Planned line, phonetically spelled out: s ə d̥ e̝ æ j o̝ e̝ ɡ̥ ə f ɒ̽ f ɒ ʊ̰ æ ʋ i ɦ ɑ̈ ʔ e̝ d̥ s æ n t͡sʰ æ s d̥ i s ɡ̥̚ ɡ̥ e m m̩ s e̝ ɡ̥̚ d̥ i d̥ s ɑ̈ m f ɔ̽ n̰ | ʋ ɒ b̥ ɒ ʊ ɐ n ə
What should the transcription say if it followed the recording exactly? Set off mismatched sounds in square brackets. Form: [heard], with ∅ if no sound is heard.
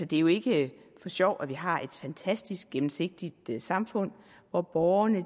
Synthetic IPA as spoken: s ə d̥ e̝ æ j o̝ e̝ ɡ̥ ə f ɒ̽ [ɕ] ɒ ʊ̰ æ ʋ i ɦ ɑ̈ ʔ e̝ d̥ [f] æ n t͡sʰ æ s d̥ i s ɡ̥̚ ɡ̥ e m m̩ s e̝ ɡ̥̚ d̥ i d̥ s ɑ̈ m f ɔ̽ n̰ | ʋ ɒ b̥ ɒ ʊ ɐ n ə